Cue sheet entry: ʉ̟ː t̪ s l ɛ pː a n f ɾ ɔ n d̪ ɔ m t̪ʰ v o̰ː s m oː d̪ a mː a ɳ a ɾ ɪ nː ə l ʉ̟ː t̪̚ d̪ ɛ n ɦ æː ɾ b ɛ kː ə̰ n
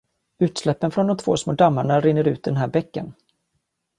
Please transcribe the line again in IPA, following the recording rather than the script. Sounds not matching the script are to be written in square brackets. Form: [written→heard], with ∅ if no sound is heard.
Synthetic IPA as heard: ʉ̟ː t̪ s l ɛ pː [a→ə] n f ɾ ɔ n d̪ ɔ m t̪ʰ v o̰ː s m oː d̪ a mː a ɳ a ɾ ɪ nː ə [l→ɾ] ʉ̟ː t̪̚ d̪ ɛ n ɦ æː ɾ b ɛ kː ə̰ n